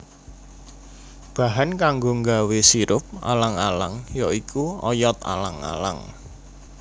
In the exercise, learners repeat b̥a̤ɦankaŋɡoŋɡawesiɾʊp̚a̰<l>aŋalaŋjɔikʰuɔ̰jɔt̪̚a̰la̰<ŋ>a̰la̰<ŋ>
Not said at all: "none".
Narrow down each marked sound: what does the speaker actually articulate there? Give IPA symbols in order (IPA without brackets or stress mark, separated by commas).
l, ŋ, ŋ